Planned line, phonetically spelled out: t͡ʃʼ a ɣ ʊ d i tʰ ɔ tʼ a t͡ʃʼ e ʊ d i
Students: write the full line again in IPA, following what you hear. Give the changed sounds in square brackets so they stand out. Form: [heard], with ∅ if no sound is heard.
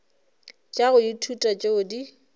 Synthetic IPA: t͡ʃʼ a ɣ ʊ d i tʰ [u] tʼ a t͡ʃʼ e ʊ d i